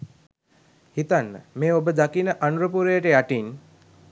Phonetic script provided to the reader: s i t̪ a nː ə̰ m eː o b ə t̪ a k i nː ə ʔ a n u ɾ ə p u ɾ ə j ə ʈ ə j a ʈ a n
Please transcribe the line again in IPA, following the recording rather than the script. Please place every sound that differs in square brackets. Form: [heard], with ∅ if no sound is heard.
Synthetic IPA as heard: [h] i t̪ a nː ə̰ m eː o b ə [d̪] a k i [n] ə ʔ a n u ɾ ə p u ɾ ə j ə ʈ ə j a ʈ [i] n